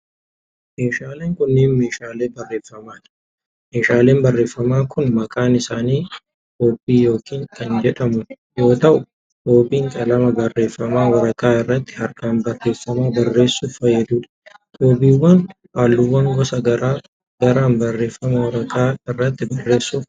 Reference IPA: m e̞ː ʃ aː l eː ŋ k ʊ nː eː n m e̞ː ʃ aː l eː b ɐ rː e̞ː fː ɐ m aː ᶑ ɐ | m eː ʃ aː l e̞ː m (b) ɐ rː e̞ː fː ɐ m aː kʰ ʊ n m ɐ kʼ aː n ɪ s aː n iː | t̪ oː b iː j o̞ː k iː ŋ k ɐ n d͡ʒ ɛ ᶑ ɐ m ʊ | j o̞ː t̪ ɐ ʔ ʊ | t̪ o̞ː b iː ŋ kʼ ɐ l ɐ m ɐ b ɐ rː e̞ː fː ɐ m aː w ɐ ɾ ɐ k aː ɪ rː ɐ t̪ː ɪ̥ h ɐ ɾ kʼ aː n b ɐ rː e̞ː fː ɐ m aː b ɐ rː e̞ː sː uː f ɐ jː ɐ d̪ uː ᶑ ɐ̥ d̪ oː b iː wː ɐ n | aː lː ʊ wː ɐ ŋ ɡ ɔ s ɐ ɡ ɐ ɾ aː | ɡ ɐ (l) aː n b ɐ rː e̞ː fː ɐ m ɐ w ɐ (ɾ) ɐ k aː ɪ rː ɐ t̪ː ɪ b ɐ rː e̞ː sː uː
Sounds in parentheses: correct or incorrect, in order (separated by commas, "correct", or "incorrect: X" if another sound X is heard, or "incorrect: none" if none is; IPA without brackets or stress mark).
correct, incorrect: ɾ, correct